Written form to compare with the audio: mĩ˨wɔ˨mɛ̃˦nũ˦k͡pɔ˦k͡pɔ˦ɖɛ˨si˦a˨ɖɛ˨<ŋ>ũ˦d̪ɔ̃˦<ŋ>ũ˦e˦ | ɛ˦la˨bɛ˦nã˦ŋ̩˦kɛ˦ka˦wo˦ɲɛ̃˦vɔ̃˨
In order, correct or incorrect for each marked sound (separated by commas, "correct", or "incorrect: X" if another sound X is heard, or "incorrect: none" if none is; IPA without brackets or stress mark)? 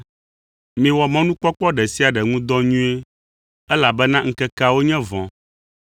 correct, incorrect: ɲ